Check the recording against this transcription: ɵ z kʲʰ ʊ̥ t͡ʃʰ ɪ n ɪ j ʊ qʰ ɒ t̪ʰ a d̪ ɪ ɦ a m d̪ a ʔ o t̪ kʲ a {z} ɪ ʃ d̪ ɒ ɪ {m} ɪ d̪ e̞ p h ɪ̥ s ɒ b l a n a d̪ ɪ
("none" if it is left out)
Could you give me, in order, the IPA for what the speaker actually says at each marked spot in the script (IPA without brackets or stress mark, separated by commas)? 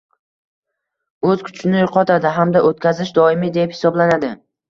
z, m